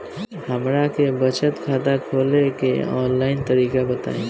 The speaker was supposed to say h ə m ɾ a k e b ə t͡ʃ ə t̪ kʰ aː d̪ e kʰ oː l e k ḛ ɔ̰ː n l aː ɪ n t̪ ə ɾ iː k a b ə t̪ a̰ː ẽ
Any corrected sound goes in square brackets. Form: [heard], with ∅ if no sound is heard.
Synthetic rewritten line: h ə m ɾ a k e b ə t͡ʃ ə t̪ kʰ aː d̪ [a] kʰ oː l e k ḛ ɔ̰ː n l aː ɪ n t̪ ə ɾ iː k a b ə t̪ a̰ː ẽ